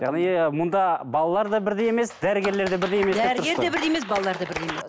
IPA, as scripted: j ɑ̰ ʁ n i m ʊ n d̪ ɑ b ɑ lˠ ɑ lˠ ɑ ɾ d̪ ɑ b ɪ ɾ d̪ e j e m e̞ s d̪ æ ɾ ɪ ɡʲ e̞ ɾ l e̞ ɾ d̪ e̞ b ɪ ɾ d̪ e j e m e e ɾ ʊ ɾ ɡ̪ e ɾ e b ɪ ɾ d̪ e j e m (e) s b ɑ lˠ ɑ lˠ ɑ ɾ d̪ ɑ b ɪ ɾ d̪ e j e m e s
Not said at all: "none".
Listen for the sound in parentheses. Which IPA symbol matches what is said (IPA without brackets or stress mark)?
e